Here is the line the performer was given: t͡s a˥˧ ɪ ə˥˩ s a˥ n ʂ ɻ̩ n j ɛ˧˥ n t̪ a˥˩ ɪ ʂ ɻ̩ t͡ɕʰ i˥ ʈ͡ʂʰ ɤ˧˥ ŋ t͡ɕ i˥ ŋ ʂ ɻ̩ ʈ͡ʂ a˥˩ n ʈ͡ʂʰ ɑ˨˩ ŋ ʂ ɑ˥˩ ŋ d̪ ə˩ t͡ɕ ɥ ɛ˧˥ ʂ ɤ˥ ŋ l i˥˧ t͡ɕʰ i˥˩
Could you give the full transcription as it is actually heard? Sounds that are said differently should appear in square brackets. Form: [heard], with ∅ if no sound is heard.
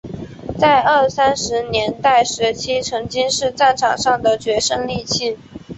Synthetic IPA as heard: t͡s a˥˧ ɪ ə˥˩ s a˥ n ʂ ɻ̩ n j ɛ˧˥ n t̪ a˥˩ ɪ ʂ ɻ̩ t͡ɕʰ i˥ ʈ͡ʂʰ ɤ˧˥ ŋ t͡ɕ i˥ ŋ ʂ ɻ̩ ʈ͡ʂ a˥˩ n ʈ͡ʂʰ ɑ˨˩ ŋ ʂ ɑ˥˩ ŋ d̪ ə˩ t͡ɕ ɥ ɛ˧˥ ʂ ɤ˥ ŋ l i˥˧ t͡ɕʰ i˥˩